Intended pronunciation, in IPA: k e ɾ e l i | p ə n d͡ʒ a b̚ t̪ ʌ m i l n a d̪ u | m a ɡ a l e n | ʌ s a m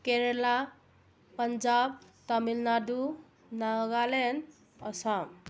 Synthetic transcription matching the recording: k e ɾ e l a | p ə n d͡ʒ a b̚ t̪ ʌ m i l n a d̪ u | n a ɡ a l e n | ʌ s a m